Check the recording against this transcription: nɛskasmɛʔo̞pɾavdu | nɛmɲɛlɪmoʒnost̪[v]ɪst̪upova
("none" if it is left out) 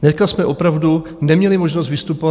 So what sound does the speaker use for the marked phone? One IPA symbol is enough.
v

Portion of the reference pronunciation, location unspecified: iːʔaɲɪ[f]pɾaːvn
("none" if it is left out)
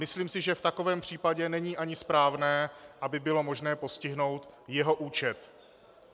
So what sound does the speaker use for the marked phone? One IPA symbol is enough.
s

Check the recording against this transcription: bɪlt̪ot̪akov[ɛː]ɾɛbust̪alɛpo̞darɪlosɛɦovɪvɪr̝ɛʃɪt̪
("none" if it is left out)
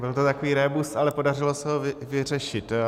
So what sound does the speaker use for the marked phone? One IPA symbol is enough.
iː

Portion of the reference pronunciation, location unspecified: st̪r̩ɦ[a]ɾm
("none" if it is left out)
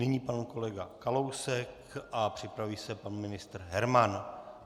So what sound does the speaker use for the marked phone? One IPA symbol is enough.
ɛ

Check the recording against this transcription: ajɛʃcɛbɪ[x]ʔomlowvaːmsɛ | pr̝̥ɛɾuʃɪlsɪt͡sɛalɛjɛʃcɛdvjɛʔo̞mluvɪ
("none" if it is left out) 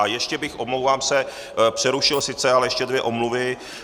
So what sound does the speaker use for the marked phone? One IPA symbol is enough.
x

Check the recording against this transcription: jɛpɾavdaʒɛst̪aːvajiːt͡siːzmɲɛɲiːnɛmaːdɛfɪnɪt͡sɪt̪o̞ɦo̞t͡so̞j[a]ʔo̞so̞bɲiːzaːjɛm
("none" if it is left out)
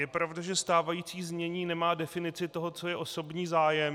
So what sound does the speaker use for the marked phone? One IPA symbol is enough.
ɛ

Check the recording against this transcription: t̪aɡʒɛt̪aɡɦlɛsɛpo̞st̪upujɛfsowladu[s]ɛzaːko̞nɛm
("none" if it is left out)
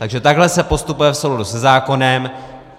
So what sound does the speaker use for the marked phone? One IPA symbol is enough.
s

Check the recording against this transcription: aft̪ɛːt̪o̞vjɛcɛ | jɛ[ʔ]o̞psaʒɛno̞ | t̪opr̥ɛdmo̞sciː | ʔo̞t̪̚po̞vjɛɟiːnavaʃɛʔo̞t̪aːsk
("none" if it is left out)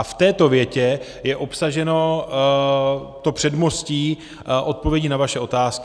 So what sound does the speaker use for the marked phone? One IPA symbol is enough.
ʔ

